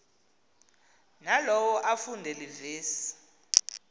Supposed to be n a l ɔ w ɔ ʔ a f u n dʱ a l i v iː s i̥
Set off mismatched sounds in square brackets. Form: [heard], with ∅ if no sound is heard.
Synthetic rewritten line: n a l ɔ w ɔ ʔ a f u n dʱ [ɛ] l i v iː s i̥